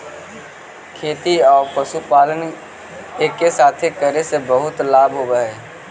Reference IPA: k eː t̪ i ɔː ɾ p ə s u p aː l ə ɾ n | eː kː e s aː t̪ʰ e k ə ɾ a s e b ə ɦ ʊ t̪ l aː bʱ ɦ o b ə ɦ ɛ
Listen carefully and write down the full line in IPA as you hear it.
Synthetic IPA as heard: kʰ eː t̪ i ɔː ɾ p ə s u p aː l ə n | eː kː e s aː t̪ʰ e k ə ɾ e s e b ə ɦ ʊ t̪ l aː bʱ ɦ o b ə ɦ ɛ